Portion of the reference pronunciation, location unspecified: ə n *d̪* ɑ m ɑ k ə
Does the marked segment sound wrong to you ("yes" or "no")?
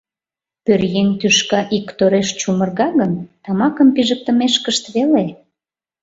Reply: yes